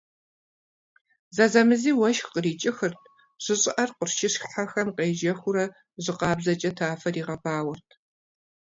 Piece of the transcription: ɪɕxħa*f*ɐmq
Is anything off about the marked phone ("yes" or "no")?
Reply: yes